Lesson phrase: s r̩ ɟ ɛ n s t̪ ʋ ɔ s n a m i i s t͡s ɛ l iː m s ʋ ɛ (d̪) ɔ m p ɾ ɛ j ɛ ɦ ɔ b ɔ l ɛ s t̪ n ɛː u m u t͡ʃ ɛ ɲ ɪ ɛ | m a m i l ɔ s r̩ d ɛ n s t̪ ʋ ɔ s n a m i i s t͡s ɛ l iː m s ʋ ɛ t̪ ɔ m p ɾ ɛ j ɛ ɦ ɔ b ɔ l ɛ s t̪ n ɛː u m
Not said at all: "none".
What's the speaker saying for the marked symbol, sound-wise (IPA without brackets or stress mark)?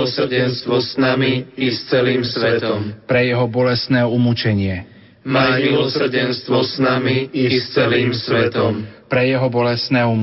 t̪